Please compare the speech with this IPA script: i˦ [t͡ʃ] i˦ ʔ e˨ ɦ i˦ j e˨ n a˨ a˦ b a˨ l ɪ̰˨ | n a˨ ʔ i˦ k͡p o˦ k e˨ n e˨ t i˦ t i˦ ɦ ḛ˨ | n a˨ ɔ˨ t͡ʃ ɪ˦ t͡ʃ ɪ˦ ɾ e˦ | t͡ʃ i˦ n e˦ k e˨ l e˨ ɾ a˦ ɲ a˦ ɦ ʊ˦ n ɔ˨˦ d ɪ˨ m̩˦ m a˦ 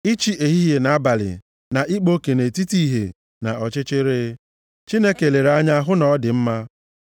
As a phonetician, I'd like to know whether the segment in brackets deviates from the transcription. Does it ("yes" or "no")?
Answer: no